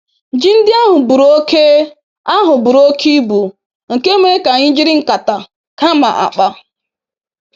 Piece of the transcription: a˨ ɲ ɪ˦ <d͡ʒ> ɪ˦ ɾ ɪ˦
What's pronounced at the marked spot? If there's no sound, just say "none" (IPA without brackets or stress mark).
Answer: d͡ʒ